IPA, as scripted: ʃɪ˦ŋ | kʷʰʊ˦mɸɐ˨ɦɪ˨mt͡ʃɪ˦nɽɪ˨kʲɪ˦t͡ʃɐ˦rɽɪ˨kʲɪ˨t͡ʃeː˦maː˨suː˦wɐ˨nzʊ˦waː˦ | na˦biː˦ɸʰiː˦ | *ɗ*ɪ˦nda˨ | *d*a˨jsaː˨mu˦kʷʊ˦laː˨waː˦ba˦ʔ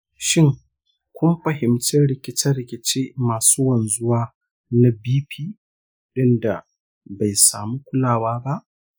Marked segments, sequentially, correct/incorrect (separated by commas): correct, incorrect